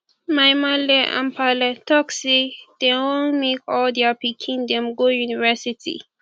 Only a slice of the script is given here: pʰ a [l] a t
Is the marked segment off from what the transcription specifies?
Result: no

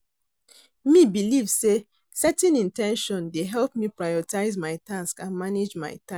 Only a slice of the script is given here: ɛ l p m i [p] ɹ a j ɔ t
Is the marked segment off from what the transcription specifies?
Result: no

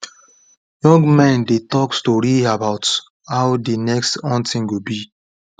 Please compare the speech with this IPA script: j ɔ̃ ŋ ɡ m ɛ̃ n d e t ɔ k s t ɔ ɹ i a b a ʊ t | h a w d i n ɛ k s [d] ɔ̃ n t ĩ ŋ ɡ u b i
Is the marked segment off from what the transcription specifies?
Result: yes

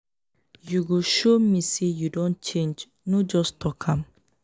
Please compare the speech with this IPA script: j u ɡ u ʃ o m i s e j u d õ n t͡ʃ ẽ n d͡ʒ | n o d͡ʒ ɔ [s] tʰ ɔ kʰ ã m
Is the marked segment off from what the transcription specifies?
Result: no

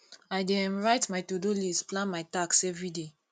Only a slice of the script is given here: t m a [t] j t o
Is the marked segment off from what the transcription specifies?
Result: yes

